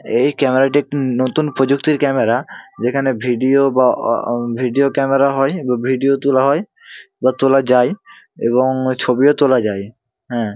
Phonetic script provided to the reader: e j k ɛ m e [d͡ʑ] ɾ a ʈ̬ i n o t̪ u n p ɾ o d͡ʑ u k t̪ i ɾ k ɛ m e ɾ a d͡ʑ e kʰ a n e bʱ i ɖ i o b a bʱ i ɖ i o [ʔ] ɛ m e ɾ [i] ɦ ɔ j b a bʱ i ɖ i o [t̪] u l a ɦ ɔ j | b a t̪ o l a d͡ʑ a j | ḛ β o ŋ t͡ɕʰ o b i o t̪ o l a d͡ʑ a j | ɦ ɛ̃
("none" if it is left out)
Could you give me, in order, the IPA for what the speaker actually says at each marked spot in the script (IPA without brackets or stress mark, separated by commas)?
none, k, a, t̪